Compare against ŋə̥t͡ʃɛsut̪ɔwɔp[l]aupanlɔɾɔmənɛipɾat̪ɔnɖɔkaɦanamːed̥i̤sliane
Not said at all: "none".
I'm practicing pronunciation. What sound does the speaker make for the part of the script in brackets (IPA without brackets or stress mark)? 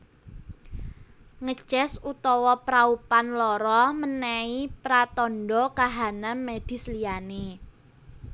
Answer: ɾ